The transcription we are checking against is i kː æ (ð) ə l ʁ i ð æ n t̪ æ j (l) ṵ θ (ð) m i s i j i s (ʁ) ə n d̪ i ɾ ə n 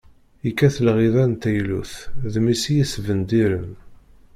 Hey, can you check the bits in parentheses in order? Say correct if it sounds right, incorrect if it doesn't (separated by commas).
incorrect, correct, correct, incorrect